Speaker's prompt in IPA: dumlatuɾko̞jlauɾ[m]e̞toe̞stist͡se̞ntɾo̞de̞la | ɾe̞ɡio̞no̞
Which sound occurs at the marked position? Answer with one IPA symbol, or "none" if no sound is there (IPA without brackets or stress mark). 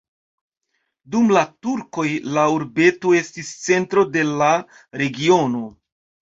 b